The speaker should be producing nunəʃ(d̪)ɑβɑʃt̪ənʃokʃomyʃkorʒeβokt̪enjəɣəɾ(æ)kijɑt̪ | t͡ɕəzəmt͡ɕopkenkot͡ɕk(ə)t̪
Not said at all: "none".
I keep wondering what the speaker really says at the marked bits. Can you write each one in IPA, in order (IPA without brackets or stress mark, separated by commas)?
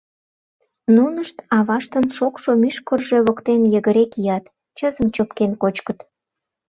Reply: t̪, e, ə